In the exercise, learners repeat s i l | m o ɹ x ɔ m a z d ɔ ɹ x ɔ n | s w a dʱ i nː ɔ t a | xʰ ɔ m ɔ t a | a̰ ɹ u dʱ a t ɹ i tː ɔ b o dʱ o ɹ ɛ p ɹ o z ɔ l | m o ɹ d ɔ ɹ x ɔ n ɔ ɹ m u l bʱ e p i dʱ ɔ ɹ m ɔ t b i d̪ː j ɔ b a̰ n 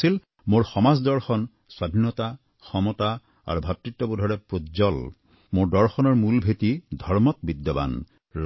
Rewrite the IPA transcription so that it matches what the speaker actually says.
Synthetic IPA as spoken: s i l | m o ɹ x ɔ m a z d ɔ ɹ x ɔ n | s w a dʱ i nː ɔ t a | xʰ ɔ m ɔ t a | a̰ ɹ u bʱ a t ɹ i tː ɔ b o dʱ ɔ ɹ ɛ p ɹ o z ɔ l | m o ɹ d ɔ ɹ x ɔ n ɔ ɹ m u l bʱ e t i dʱ ɔ ɹ m ɔ t b i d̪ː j ɔ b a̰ n